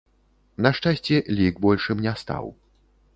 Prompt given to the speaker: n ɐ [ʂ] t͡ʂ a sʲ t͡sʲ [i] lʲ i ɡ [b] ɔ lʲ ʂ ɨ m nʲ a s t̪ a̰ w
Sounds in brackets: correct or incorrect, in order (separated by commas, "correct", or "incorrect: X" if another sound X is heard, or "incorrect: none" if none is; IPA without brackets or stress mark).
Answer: correct, incorrect: ɛ, correct